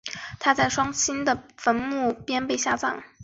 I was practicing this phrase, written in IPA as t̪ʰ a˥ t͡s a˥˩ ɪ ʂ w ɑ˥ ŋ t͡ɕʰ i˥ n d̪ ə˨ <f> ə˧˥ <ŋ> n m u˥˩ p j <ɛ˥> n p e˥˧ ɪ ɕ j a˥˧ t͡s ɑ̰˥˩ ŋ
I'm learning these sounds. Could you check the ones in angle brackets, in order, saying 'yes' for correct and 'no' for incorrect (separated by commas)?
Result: yes, no, yes